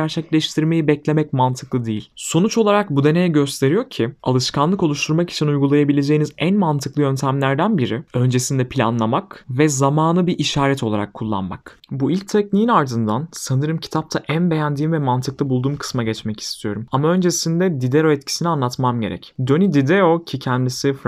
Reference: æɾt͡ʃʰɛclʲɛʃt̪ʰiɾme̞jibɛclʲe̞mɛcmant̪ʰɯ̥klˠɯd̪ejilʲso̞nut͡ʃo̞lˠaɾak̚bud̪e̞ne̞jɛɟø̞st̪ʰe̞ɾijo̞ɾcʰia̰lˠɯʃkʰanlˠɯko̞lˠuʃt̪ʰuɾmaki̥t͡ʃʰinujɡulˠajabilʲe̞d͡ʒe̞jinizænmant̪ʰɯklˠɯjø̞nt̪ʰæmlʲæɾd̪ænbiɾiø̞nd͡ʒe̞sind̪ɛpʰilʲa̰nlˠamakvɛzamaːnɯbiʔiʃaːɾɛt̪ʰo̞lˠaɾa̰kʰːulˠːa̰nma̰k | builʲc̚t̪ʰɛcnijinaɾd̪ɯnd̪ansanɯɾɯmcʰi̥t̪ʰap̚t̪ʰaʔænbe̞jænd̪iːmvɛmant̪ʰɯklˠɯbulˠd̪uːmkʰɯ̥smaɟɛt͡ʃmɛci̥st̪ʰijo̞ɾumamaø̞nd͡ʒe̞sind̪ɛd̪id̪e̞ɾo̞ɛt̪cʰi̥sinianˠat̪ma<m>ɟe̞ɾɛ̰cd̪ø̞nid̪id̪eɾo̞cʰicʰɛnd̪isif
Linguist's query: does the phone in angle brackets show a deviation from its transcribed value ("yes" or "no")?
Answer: no